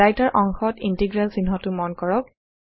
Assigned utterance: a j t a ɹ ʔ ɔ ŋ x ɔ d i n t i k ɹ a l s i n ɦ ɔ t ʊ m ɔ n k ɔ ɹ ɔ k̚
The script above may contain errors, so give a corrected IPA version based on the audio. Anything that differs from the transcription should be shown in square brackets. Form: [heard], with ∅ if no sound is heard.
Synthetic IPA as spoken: a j t a ɹ ʔ ɔ ŋ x ɔ [t] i n t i [ɡ] ɹ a l s i n ɦ ɔ t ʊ m ɔ n k ɔ ɹ ɔ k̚